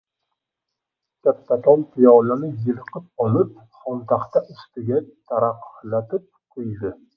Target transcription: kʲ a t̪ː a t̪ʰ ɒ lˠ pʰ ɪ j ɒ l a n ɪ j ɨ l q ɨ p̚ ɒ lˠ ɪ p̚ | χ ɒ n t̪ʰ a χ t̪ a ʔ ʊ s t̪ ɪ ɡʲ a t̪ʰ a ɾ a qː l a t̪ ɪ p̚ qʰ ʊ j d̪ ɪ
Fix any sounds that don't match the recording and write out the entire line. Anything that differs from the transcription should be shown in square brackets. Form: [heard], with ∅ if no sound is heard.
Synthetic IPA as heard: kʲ a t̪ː a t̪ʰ ɒ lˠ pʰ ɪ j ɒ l a n ɪ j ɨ l q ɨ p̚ ɒ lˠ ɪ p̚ | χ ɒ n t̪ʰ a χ t̪ a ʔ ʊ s t̪ ɪ ɡʲ a t̪ʰ a ɾ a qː l a t̪ ɪ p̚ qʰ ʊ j d̪ ɪ